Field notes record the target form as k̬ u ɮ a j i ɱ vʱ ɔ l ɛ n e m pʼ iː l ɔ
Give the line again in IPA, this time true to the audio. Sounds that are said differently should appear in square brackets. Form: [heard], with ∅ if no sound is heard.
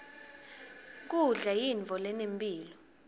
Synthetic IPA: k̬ u ɮ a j i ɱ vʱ ɔ l ɛ n e m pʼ iː l ɔ